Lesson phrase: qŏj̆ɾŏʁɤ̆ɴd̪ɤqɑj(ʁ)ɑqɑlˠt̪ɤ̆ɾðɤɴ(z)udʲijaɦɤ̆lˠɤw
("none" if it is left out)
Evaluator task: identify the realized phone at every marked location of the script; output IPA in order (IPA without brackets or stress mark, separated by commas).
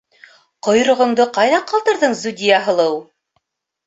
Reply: ð, z